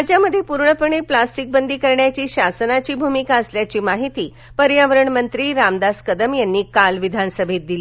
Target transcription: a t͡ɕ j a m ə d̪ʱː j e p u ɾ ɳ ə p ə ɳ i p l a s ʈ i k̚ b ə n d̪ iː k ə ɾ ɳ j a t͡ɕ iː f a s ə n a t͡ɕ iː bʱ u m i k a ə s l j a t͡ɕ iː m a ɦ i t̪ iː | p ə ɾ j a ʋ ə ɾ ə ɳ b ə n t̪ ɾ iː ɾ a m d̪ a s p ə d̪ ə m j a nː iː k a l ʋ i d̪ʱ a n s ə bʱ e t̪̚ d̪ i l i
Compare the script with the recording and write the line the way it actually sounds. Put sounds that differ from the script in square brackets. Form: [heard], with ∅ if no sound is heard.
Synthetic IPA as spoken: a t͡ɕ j a m ə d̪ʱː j e p u ɾ ɳ ə p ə ɳ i p l a s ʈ i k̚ b ə n d̪ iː k ə ɾ ɳ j a t͡ɕ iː [ɕ] a s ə n a t͡ɕ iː bʱ u m i k a ə s l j a t͡ɕ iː m a ɦ i t̪ iː | p ə ɾ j a ʋ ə ɾ ə ɳ [m] ə n t̪ ɾ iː ɾ a m d̪ a s [k] ə d̪ ə m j a nː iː k a l ʋ i d̪ʱ a n s ə bʱ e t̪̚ d̪ i l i